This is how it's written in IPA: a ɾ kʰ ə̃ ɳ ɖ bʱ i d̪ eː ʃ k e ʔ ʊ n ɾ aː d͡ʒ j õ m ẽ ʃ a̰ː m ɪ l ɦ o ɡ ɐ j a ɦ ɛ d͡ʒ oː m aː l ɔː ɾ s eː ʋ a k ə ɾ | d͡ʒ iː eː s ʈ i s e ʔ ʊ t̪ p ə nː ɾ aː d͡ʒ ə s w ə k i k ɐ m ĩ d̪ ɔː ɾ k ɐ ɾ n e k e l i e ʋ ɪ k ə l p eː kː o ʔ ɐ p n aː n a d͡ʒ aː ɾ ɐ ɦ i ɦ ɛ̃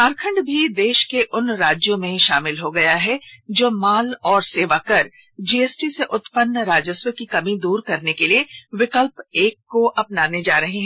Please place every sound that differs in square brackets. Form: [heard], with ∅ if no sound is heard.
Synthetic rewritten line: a ɾ kʰ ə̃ ɳ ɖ bʱ i d̪ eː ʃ k e ʔ ʊ n ɾ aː d͡ʒ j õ m ẽ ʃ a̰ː m ɪ l ɦ o ɡ ɐ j a ɦ ɛ d͡ʒ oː m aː l ɔː ɾ s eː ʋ a k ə ɾ | d͡ʒ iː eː s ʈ i s e ʔ ʊ t̪ p ə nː ɾ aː d͡ʒ ə s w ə k i k ɐ m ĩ d̪ [uː] ɾ k ɐ ɾ n e k e l i e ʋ ɪ k ə l p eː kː o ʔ ɐ p n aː n [e] d͡ʒ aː ɾ ɐ ɦ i ɦ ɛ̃